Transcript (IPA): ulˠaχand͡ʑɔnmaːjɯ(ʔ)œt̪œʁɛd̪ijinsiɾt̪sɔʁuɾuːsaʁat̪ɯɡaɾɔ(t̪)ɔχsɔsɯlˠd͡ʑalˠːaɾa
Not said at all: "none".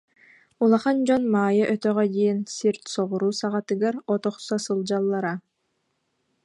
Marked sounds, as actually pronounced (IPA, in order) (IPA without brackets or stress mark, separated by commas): ʔ, t̪